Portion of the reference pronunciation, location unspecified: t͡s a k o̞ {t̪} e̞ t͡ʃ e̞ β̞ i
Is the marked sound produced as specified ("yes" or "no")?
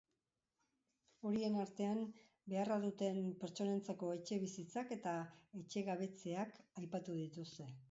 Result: no